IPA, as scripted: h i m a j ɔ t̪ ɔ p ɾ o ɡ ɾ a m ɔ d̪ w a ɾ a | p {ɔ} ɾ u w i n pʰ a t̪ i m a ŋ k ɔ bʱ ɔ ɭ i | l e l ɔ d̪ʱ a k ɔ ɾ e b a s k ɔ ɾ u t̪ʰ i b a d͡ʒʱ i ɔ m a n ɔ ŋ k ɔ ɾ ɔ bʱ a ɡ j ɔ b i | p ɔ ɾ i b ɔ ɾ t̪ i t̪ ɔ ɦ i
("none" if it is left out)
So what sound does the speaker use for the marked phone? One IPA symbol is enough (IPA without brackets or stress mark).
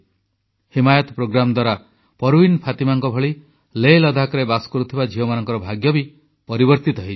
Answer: ɔ